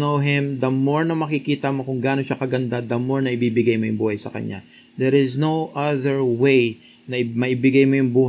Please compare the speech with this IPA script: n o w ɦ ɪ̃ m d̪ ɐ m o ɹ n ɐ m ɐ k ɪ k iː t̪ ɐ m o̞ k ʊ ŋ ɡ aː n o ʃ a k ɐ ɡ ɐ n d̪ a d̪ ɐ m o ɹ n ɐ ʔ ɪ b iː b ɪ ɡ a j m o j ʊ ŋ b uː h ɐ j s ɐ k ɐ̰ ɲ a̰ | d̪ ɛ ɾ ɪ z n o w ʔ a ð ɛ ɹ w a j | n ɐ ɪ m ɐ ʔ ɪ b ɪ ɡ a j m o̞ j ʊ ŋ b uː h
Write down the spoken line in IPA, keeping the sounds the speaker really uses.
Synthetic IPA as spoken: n o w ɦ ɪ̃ m d̪ ɐ m o ɹ n ɐ m ɐ k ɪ k iː t̪ ɐ m o̞ k ʊ ŋ ɡ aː n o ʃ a k ɐ ɡ ɐ n d̪ a d̪ ɐ m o ɹ n ɐ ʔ ɪ b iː b ɪ ɡ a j m o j ʊ ŋ b uː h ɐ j s ɐ k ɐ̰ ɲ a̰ | d̪ ɛ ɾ ɪ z n o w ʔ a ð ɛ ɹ w e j | n ɐ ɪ m ɐ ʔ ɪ b ɪ ɡ a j m o̞ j ʊ ŋ b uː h